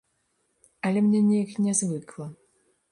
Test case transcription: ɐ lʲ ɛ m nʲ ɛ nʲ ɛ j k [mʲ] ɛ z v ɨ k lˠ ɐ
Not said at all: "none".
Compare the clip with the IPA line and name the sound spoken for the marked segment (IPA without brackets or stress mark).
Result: nʲ